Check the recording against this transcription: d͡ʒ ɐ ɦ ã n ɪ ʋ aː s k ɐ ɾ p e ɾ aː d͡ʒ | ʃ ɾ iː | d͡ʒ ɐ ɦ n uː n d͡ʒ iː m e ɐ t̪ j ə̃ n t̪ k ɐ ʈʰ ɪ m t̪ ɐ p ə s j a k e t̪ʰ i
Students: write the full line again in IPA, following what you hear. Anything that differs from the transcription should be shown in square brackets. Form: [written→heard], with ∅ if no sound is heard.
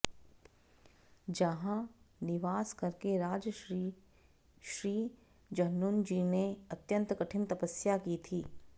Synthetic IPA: d͡ʒ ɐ ɦ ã n ɪ ʋ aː s k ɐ ɾ [p→k] e ɾ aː d͡ʒ | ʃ ɾ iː | d͡ʒ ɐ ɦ n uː n d͡ʒ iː [m→n] e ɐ t̪ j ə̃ n t̪ k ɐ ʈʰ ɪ m t̪ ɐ p ə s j a k [e→i] t̪ʰ [i→iː]